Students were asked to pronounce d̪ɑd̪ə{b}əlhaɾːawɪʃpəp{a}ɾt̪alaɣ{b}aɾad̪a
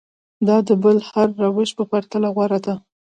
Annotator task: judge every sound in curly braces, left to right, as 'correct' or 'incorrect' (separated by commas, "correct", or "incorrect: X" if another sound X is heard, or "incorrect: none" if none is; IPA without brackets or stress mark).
correct, correct, incorrect: w